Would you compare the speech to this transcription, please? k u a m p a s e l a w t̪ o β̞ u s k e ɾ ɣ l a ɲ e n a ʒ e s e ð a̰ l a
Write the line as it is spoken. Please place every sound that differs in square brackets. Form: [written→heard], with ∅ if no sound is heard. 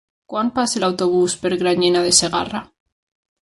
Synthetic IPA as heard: k [u→w] a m p a s e l a w t̪ o β̞ u s [k→p] e ɾ ɣ [l→ɾ] a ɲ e n a [ʒ→ð] e s e [ð→ɣ] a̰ [l→r] a